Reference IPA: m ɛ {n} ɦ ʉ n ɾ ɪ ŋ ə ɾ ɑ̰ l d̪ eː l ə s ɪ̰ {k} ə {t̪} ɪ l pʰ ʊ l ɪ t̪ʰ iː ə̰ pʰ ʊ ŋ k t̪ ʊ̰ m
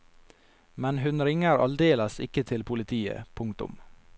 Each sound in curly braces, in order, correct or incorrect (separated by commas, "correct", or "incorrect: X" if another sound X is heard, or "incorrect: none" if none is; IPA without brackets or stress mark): correct, correct, incorrect: t̪ʰ